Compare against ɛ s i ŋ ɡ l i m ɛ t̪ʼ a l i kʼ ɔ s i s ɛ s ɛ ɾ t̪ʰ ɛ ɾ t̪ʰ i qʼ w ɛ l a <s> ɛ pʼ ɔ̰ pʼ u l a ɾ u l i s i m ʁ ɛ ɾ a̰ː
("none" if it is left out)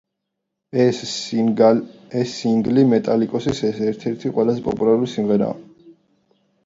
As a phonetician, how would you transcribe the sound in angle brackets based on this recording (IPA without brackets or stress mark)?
z